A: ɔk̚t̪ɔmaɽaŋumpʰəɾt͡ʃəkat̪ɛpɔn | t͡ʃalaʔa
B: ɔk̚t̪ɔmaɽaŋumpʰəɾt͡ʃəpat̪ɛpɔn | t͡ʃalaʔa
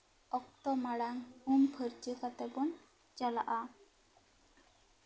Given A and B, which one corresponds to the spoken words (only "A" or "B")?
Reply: A